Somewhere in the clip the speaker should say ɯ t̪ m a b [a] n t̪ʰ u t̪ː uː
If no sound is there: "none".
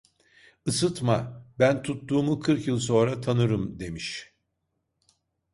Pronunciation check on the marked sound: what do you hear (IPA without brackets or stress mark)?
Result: æ